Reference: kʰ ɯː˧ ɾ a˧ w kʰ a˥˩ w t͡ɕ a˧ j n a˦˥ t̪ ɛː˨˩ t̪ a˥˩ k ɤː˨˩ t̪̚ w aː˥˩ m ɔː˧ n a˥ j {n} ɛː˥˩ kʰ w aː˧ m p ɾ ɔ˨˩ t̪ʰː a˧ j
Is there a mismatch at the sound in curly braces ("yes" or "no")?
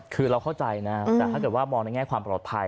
yes